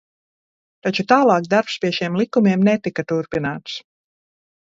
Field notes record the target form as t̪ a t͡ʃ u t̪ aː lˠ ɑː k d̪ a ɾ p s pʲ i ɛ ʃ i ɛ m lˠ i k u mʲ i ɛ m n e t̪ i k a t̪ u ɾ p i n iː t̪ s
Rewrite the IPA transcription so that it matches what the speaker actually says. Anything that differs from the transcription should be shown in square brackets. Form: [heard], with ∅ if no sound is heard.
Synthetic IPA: t̪ a t͡ʃ u t̪ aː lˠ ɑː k d̪ a ɾ p s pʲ i ɛ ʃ i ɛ m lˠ i k u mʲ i ɛ m n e t̪ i k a t̪ u ɾ p i n [aː] t̪ s